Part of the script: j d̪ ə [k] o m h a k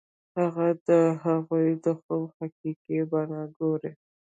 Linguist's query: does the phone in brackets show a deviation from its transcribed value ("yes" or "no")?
yes